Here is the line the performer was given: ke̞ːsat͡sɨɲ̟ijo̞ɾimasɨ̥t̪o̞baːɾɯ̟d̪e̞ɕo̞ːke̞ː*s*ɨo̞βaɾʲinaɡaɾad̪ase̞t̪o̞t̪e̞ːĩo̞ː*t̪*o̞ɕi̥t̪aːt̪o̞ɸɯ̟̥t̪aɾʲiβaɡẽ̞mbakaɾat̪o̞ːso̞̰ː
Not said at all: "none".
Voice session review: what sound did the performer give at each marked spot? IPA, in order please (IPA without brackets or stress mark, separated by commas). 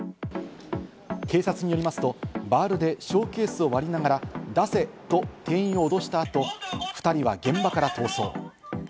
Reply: s, d̪